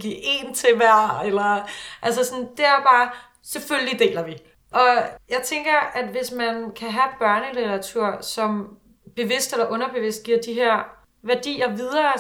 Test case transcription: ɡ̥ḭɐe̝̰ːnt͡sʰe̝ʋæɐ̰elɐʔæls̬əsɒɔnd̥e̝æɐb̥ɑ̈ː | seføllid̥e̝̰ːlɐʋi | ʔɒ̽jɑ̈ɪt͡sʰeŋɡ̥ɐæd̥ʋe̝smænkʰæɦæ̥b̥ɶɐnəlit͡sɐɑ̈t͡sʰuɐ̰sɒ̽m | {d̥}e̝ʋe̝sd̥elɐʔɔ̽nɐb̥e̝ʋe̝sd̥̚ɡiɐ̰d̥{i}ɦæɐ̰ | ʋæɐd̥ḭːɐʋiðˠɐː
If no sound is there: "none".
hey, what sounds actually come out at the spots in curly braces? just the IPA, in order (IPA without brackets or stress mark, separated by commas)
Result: b̥, i